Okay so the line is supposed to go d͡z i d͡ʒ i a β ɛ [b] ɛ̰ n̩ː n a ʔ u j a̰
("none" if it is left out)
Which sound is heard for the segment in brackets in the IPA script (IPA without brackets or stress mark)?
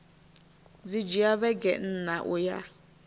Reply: ɡ